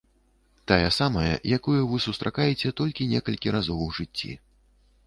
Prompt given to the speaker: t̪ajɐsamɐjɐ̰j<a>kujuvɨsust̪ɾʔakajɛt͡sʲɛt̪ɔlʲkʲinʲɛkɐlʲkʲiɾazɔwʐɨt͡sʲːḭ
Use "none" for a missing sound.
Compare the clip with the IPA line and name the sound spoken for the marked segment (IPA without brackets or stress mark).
a